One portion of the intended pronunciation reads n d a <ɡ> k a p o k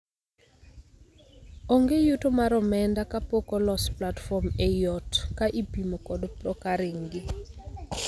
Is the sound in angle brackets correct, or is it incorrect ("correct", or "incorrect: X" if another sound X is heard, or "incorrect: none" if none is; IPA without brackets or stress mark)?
incorrect: none